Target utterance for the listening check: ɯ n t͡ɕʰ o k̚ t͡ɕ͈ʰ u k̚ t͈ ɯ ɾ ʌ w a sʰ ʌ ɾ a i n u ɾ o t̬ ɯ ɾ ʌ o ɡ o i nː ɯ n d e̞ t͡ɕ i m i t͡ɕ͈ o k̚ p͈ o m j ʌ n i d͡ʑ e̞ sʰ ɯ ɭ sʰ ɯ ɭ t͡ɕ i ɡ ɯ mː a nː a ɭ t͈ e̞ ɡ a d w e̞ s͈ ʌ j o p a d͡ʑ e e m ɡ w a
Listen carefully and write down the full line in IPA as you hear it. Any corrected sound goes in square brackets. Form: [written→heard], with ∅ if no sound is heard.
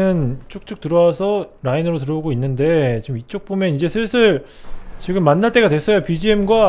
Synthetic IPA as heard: ɯ n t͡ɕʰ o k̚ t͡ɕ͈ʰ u k̚ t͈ ɯ ɾ ʌ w a sʰ ʌ ɾ a i n [u→ɯ] ɾ o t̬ ɯ ɾ ʌ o ɡ o i nː ɯ n d e̞ t͡ɕ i m i t͡ɕ͈ o k̚ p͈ o m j ʌ n i d͡ʑ e̞ sʰ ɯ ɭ sʰ ɯ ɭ t͡ɕ i ɡ ɯ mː a nː a ɭ t͈ e̞ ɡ a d w e̞ s͈ ʌ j o p [a→i] d͡ʑ [e→i] e m ɡ w a